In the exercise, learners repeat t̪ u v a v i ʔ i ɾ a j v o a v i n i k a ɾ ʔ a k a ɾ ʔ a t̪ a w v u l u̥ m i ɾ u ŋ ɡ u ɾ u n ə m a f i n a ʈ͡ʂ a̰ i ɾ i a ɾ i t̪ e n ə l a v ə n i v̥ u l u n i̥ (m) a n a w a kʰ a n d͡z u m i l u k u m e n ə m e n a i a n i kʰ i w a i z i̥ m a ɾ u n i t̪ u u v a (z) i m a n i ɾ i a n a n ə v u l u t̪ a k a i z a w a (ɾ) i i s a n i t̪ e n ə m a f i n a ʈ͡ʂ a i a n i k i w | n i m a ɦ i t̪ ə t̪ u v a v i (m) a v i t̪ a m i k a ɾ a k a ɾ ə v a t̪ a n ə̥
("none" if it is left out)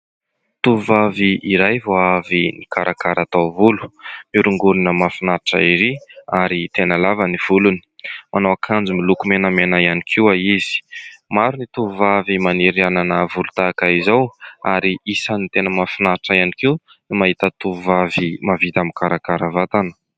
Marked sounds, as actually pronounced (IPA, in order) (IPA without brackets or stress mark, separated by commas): m, v, ɾ, m